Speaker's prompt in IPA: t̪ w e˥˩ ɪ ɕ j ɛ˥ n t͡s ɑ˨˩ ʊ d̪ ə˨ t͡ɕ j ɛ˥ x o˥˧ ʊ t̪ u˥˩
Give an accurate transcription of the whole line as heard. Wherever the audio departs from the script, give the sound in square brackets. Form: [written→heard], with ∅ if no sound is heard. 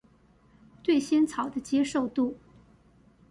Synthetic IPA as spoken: t̪ w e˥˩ ɪ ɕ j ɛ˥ n [t͡s→t͡sʰ] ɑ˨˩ ʊ d̪ [ə˨→ə˦] t͡ɕ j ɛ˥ [x→ʂ] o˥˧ ʊ t̪ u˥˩